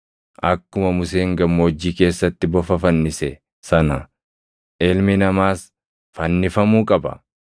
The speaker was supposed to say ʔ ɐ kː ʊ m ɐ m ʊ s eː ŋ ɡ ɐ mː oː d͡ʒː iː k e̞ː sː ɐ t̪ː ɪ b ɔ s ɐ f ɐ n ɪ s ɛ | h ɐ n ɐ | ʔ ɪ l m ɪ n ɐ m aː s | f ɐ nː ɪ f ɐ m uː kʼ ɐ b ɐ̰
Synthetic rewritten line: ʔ ɐ kː ʊ m ɐ m ʊ s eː ŋ ɡ ɐ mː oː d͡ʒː iː k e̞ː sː ɐ t̪ː ɪ b ɔ f ɐ f ɐ nː ɪ s ɛ | s ɐ n ɐ | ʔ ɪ l m ɪ n ɐ m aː s | f ɐ nː ɪ f ɐ m uː kʼ ɐ b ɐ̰

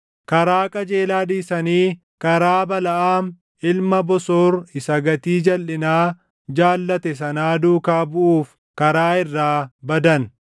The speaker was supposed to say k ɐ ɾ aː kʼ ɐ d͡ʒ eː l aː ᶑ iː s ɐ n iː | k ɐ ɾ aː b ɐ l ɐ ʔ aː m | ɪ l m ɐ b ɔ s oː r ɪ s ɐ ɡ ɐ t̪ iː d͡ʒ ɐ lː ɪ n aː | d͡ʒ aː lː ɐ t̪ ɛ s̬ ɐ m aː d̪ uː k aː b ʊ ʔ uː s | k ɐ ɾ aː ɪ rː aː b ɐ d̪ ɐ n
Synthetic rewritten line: k ɐ ɾ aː kʼ ɐ d͡ʒ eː l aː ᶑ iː s ɐ n iː | k ɐ ɾ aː b ɐ l ɐ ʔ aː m | ɪ l m ɐ b ɔ s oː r ɪ s ɐ ɡ ɐ t̪ iː d͡ʒ ɐ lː ɪ n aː | d͡ʒ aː lː ɐ t̪ ɛ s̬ ɐ n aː d̪ uː k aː b ʊ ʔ uː f | k ɐ ɾ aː ɪ rː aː b ɐ d̪ ɐ n

